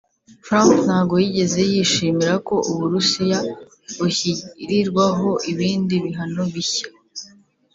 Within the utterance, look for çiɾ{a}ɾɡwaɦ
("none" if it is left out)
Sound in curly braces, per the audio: i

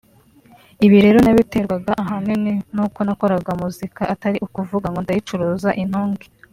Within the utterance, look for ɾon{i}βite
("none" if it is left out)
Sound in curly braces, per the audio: a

